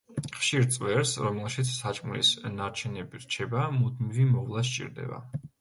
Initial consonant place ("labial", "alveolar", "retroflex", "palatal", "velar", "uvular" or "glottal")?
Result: uvular